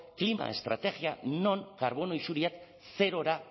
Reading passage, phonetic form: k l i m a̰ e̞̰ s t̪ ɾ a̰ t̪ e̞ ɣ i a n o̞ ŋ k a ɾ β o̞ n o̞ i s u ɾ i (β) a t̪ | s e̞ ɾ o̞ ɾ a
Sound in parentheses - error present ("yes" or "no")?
yes